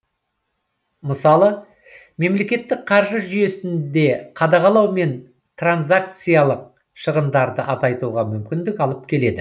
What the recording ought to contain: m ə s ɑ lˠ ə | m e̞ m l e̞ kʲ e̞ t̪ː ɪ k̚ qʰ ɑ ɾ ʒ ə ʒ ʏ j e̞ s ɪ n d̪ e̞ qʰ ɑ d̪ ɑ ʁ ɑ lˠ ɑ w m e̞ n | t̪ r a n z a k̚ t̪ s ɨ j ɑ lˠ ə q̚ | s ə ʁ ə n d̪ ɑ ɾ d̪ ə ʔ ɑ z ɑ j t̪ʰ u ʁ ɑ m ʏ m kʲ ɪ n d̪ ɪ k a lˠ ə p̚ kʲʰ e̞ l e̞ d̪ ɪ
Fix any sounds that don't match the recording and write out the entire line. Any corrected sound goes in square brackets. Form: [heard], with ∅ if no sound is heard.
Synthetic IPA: m ə s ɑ lˠ ə | m e̞ m l e̞ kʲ e̞ t̪ː ɪ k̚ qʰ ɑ ɾ ʒ ə ʒ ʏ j e̞ s ɪ n d̪ e̞ qʰ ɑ d̪ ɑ ʁ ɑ lˠ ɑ w m e̞ n | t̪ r a n z a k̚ t̪ s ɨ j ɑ lˠ ə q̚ | [ʃ] ə ʁ ə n d̪ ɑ ɾ d̪ ə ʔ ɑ z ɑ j [t̪] u ʁ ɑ m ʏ m kʲ ɪ n d̪ ɪ k [ɑ] lˠ ə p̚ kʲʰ e̞ l e̞ d̪ ɪ